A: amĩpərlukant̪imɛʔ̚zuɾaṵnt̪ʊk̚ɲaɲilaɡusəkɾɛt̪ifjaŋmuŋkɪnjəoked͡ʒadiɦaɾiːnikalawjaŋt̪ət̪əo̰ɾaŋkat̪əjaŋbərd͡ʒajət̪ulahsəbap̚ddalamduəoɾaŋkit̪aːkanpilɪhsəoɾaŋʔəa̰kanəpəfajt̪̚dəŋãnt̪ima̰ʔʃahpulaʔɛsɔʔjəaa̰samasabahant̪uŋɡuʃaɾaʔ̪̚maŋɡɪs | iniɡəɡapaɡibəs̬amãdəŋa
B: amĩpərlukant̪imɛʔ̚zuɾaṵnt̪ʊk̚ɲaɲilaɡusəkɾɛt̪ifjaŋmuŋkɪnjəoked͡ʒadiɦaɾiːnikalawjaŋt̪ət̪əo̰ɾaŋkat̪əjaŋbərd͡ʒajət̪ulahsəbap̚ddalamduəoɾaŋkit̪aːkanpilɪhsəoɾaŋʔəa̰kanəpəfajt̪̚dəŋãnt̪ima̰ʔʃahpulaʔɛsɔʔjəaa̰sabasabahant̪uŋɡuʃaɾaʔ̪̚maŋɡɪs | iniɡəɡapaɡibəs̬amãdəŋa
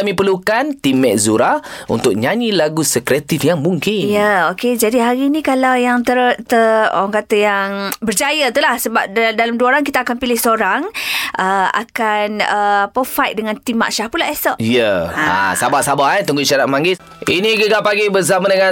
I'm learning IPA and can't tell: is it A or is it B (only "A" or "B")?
B